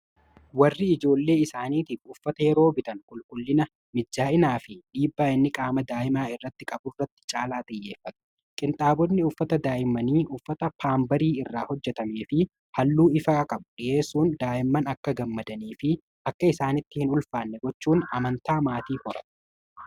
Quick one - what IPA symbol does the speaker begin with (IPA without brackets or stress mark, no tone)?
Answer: w